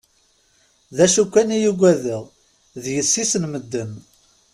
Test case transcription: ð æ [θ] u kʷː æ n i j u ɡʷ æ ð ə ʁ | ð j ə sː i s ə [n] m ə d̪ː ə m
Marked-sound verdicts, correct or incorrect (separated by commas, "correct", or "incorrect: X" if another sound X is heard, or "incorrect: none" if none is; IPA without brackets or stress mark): incorrect: ʃ, correct